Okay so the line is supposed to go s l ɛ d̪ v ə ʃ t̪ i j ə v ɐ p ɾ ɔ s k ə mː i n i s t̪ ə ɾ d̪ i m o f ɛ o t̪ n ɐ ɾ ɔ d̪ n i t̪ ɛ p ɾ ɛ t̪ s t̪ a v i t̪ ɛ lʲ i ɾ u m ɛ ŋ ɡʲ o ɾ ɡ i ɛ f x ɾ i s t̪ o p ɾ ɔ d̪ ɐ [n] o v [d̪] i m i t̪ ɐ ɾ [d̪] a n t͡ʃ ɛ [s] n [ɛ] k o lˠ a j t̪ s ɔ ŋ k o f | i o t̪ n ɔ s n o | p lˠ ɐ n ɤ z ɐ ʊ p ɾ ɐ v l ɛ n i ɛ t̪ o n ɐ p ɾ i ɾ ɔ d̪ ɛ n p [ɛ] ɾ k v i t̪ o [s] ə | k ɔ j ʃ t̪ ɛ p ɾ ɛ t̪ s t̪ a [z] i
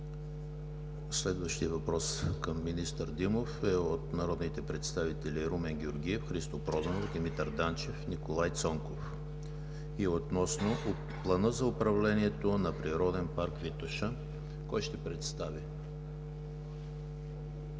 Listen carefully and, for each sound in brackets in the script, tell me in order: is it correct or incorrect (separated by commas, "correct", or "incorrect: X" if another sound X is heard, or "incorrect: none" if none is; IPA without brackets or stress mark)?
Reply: correct, correct, correct, incorrect: f, incorrect: i, incorrect: a, incorrect: ʃ, incorrect: v